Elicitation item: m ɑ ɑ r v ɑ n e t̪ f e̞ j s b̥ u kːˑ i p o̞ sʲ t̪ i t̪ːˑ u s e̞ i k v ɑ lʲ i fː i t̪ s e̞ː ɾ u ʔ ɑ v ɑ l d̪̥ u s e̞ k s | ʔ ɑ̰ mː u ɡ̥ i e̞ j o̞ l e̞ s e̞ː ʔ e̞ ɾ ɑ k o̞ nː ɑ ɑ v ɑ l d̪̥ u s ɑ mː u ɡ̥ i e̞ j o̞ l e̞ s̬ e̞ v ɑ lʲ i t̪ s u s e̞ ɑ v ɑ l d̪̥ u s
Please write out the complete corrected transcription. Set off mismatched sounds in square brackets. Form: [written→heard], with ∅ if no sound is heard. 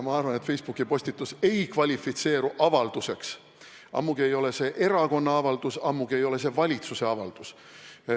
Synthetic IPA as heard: m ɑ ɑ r v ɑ n e t̪ f e̞ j s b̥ u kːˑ i p o̞ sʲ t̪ i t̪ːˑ u s e̞ [i→j] k v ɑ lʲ i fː i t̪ s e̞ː ɾ u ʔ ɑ v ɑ l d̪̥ u s e̞ k s | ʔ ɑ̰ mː u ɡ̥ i e̞ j o̞ l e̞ s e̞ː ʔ e̞ ɾ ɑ k o̞ nː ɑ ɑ v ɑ l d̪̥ u s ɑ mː u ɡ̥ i e̞ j o̞ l e̞ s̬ e̞ v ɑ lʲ i t̪ s u s e̞ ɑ v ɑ l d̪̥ u s